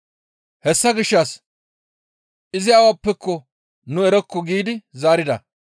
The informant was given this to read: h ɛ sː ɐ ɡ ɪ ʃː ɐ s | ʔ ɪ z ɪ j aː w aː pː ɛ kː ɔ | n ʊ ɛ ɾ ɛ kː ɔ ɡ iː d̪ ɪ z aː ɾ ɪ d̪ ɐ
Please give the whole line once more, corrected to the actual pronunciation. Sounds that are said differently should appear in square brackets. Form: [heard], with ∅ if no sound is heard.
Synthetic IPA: h ɛ sː ɐ ɡ ɪ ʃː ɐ s | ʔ ɪ z ɪ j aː w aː pː ɛ kː ɔ | n ʊ ɛ ɾ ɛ kː ɔ ɡ iː d̪ ɪ z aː ɾ ɪ d̪ ɐ